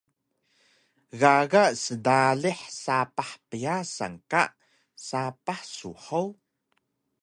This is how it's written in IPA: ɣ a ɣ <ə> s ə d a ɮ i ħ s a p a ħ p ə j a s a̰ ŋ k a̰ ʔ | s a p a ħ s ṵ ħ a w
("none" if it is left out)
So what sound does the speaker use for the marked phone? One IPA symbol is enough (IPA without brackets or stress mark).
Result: a